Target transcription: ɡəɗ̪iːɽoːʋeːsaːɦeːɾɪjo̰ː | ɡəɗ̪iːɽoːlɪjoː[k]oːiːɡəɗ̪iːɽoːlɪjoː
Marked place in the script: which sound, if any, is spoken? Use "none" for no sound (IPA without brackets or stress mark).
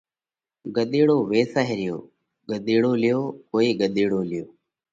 k